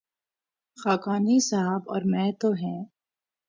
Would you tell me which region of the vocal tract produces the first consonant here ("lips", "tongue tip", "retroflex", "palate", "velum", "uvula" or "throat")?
velum